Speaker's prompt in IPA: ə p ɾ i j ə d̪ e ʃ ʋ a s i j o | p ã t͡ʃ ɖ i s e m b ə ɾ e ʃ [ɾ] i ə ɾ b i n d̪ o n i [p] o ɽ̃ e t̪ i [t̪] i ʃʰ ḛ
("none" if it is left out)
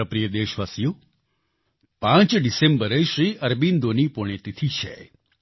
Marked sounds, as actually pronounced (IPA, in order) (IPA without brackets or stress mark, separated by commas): ɾ, p, t̪ʰ